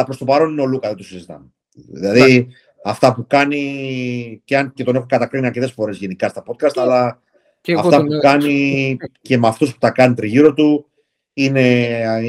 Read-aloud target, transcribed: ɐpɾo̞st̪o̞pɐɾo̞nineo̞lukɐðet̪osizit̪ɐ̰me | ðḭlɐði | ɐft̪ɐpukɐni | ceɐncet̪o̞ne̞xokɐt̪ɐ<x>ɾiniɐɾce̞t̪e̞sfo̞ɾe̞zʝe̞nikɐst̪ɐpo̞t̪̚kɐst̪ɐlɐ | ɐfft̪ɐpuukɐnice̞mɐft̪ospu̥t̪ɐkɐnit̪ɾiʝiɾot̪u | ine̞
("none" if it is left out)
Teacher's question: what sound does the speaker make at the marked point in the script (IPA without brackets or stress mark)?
k